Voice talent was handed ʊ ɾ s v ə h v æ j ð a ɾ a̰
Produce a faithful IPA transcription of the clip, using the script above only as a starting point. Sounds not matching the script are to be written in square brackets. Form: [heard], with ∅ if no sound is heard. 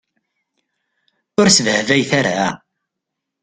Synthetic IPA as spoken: ʊ ɾ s v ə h v æ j [θ] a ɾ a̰

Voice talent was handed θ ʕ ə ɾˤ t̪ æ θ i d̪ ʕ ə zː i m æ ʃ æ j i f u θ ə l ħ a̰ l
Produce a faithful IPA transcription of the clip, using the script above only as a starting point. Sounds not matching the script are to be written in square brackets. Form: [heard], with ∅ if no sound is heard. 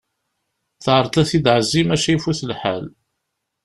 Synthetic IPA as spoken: θ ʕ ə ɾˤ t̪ æ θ i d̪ ʕ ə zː i m æ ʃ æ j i f u θ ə l ħ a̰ l

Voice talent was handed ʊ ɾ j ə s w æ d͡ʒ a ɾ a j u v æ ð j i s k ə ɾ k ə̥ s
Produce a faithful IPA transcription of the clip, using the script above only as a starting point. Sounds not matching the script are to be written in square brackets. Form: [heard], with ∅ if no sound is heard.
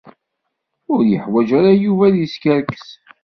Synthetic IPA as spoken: ʊ ɾ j ə [ħ] w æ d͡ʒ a ɾ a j u v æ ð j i s k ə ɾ k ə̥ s

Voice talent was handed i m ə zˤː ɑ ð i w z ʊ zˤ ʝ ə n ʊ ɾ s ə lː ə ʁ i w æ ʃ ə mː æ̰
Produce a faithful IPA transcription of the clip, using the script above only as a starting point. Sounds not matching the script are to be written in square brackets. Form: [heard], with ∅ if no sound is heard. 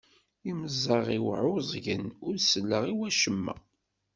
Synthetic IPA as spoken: i m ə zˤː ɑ [ʁ] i w [ʕ] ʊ zˤ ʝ ə n ʊ ɾ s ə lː ə ʁ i w æ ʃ ə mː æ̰

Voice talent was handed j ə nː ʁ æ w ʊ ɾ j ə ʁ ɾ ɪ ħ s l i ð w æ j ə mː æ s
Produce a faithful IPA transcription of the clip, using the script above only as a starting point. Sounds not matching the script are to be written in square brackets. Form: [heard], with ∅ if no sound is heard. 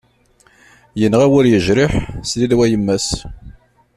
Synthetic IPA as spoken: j ə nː ʁ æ w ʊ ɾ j ə [ʒ] ɾ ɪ ħ s l i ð w æ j ə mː æ s

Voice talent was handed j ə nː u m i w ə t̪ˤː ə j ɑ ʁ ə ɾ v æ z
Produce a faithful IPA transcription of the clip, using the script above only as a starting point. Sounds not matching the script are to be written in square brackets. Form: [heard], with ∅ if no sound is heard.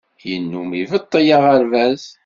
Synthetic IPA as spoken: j ə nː u m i [v] ə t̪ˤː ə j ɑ ʁ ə ɾ v æ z

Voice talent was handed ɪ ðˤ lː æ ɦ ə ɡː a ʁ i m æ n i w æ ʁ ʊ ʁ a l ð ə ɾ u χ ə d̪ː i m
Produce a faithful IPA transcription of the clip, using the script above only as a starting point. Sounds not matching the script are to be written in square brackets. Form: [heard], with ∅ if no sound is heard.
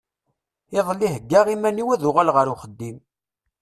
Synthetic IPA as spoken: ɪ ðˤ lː [i] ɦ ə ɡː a ʁ i m æ n i w æ [ð] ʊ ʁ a l [ʁ] ə ɾ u χ ə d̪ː i m

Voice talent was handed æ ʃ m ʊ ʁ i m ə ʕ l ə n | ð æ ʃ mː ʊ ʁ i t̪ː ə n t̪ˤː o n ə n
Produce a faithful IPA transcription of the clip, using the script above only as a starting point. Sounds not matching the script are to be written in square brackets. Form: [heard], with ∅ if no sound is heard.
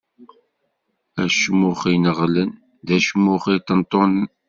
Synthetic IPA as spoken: æ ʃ m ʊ [χ] i [n] ə [ʁ] l ə n | ð æ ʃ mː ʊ [χ] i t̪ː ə n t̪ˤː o n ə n

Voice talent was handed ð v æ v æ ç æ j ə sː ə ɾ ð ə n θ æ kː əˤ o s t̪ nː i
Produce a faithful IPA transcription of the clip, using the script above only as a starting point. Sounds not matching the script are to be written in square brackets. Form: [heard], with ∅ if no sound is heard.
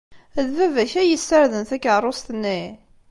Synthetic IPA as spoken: ð v æ v æ ç æ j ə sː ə ɾ ð ə n θ æ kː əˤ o s t̪ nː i

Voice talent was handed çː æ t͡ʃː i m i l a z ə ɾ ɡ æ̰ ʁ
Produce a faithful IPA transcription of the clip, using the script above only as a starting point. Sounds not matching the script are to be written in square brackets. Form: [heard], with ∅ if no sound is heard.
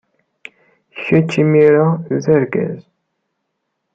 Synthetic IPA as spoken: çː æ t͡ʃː i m i [ɾ] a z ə ɾ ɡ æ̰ [z]

